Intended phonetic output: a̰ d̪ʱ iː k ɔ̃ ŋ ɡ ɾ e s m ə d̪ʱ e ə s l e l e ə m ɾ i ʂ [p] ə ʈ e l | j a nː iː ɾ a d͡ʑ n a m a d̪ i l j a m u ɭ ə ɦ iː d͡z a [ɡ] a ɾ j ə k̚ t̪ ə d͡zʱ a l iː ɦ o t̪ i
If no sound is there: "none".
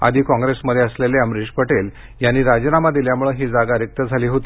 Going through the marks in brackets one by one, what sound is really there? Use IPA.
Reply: p, ɡ

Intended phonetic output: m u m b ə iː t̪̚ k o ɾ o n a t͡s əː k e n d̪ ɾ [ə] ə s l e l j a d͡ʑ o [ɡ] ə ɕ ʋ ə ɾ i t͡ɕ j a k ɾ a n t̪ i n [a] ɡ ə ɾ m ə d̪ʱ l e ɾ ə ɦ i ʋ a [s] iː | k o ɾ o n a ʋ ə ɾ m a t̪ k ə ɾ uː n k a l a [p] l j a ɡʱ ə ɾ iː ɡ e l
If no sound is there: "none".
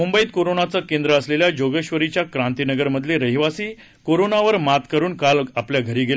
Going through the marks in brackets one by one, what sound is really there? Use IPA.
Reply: ə, ɡ, ə, s, p

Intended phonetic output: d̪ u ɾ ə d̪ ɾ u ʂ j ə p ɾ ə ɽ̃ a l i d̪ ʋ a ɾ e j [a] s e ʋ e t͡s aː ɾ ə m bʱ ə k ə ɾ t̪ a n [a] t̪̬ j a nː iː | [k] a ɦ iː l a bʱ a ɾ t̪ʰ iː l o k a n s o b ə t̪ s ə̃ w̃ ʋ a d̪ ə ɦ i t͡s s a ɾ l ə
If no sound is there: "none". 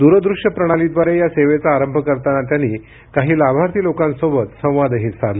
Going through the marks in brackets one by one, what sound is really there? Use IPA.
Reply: a, a, k

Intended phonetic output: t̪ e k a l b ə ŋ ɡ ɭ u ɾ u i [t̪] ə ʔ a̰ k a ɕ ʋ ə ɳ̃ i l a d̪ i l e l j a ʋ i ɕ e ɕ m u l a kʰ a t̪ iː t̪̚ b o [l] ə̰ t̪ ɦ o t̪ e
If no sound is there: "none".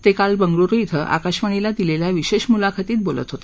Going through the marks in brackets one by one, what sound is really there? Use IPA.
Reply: t̪ʰ, l

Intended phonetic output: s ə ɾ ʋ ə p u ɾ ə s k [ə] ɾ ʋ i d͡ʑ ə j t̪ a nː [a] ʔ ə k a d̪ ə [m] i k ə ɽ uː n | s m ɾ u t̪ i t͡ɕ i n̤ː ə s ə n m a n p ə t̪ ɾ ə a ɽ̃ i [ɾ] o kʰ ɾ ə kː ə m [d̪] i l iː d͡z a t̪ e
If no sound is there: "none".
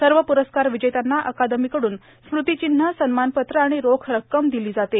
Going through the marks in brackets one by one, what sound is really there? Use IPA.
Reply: a, a, m, ɾ, d̪

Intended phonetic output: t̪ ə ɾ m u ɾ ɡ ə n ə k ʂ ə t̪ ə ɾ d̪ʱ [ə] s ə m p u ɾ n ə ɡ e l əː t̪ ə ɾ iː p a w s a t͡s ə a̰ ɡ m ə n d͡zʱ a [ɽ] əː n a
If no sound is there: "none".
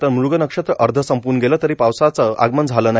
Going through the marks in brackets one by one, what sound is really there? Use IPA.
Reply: ə, l

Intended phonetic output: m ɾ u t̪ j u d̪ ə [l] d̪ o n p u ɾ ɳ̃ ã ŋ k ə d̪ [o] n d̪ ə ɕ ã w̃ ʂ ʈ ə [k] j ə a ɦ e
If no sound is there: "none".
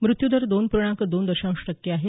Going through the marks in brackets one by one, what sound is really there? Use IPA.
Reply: ɾ, o, k

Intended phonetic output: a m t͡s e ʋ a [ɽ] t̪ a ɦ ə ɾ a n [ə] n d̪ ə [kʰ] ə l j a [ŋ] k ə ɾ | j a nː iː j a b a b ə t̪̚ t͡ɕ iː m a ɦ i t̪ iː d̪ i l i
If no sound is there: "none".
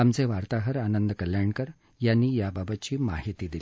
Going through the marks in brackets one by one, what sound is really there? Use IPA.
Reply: ɾ, ə, k, ɳ

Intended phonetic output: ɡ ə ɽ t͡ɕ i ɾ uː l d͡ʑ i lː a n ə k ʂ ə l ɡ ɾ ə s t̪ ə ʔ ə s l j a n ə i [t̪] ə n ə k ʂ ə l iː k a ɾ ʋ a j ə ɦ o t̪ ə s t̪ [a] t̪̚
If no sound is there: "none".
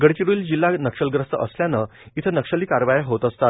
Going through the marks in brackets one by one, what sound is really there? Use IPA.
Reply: t̪ʰ, a

